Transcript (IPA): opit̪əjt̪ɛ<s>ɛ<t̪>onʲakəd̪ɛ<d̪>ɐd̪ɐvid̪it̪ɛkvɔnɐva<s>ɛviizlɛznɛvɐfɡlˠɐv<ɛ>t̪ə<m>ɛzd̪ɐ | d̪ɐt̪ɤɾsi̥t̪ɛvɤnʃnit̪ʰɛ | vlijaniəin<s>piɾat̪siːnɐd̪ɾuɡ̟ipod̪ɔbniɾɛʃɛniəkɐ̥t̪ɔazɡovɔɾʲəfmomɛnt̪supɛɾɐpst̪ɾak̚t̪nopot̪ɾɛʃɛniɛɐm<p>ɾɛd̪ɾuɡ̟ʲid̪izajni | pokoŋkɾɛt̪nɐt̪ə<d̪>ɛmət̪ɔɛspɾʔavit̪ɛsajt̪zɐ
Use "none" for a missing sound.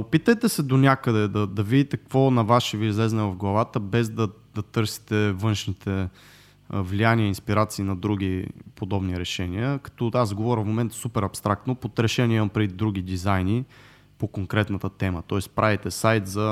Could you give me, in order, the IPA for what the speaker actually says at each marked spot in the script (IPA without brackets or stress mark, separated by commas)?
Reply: s, d̪, d̪, ʃ, a, b, s, p, t̪